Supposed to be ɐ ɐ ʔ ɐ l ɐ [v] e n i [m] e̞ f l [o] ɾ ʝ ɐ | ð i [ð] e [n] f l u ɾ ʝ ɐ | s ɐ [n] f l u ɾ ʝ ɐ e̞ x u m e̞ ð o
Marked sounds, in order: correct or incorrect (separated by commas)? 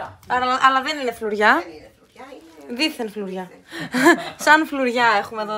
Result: incorrect, incorrect, incorrect, incorrect, correct, correct